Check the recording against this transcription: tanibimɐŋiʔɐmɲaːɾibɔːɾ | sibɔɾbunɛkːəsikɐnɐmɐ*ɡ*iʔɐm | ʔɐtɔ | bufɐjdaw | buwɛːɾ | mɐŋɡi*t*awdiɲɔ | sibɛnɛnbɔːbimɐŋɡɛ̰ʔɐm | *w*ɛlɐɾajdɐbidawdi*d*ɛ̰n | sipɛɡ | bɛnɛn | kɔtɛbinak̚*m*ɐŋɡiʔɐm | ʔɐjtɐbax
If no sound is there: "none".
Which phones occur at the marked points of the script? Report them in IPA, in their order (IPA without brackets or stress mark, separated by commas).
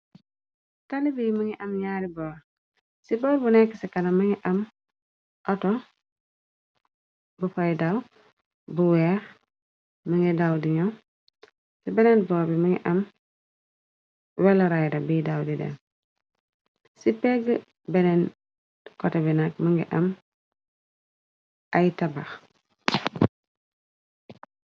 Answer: ŋ, d, w, d, m